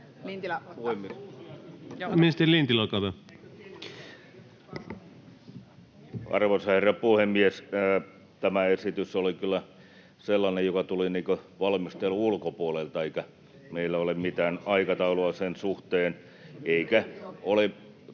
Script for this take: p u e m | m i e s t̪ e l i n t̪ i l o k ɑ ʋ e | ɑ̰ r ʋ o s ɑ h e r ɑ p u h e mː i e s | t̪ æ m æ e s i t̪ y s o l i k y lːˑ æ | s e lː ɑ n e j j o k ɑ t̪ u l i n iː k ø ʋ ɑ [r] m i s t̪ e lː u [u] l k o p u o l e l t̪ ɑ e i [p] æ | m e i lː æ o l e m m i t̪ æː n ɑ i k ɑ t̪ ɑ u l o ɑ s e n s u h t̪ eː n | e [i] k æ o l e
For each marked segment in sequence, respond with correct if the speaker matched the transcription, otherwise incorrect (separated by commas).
incorrect, correct, incorrect, correct